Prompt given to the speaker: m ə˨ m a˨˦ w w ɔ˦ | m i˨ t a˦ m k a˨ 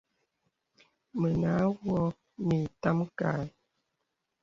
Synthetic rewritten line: m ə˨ n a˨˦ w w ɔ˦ | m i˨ t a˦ m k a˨